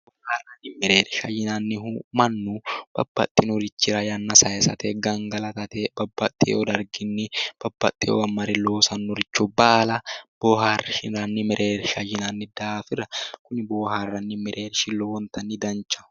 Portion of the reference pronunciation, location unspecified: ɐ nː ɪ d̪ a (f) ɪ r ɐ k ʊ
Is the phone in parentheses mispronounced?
no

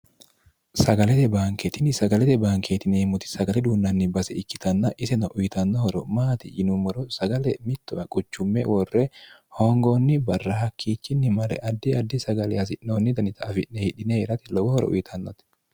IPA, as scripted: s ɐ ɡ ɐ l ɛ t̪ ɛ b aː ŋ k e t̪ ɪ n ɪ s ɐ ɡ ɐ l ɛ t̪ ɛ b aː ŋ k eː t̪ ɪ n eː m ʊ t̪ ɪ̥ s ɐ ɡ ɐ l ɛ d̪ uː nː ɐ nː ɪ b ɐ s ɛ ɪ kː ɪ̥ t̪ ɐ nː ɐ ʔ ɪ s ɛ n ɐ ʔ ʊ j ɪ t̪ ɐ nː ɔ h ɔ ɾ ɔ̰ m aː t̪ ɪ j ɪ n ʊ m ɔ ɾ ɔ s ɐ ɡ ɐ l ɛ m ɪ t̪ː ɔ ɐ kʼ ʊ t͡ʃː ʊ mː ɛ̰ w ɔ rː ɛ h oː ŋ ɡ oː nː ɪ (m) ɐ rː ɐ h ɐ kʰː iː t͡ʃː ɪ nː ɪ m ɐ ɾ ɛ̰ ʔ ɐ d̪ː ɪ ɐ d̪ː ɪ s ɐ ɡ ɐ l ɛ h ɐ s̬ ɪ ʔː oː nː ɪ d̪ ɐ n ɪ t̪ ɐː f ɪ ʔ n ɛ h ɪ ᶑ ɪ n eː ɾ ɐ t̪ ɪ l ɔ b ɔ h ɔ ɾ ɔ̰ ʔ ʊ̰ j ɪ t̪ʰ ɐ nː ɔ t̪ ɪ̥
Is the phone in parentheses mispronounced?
yes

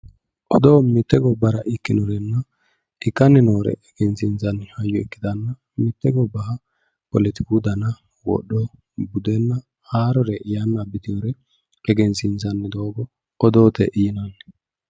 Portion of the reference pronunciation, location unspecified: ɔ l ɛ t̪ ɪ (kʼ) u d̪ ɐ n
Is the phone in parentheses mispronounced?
yes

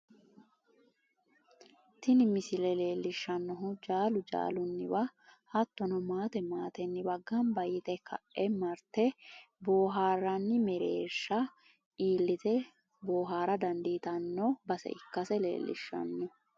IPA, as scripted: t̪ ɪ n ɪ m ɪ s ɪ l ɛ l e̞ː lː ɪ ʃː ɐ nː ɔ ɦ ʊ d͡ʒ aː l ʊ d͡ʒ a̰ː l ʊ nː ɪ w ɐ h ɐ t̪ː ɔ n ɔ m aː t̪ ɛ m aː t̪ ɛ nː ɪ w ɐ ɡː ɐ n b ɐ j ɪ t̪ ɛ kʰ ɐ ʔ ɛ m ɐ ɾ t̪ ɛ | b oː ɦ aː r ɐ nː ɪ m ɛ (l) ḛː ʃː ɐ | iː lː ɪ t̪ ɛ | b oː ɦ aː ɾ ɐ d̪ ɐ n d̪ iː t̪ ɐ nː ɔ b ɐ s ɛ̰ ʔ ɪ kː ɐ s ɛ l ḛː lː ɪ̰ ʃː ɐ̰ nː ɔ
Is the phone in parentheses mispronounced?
yes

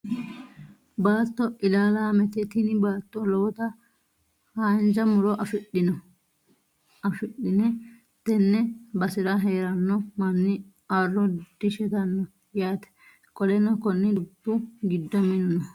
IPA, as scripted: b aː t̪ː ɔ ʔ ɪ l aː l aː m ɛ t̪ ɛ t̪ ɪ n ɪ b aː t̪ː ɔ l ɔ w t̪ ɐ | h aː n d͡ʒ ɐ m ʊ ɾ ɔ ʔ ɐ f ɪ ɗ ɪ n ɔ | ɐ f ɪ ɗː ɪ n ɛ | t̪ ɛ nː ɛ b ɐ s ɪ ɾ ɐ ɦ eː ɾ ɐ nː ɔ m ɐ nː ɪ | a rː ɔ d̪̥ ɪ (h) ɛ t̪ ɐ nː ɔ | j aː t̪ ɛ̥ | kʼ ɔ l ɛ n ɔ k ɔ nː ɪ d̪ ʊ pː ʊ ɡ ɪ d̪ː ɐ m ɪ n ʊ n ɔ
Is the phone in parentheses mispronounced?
yes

